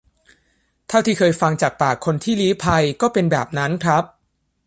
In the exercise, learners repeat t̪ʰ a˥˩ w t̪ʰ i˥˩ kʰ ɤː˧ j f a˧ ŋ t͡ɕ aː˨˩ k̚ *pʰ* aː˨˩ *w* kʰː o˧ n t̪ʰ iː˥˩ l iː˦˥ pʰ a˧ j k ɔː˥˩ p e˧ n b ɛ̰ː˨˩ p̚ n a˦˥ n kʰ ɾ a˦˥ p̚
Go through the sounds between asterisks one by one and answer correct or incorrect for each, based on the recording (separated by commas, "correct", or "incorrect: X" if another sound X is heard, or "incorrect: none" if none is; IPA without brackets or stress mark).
incorrect: p, incorrect: none